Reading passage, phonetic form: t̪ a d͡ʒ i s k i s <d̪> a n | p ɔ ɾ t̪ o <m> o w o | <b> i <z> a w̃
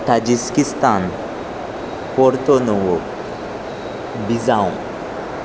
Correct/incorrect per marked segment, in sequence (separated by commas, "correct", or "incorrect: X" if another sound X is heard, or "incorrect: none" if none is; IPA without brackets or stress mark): incorrect: t̪, incorrect: n, correct, correct